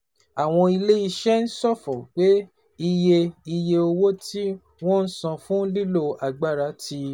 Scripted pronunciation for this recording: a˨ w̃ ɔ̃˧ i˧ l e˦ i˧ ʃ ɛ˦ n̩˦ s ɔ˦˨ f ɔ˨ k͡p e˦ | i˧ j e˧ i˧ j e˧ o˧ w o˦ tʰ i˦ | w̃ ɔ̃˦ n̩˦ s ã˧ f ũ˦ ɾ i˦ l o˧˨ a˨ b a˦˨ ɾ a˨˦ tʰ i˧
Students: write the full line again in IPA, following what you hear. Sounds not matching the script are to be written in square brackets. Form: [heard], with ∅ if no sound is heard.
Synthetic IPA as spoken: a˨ w̃ ɔ̃˧ i˧ l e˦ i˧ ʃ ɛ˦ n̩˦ s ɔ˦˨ f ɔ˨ k͡p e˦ | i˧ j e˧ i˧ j e˧ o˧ w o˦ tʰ i˦ | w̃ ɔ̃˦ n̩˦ s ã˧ f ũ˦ [l] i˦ l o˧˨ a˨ [ɡ͡b] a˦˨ ɾ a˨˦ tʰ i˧